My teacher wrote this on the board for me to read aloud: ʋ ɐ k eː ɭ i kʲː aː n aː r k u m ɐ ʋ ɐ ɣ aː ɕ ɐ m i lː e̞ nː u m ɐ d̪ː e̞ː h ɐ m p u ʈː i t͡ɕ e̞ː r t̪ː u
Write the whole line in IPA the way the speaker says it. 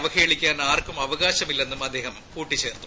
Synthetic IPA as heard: ʋ ɐ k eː ɭ i kʲː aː n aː r k u m ɐ ʋ ɐ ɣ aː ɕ ɐ m i lː e̞ nː u m ɐ d̪ː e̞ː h ɐ m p uː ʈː i t͡ɕ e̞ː r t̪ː u